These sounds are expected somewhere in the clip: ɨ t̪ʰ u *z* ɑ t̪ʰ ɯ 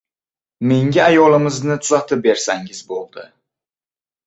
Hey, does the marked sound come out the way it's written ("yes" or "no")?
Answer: yes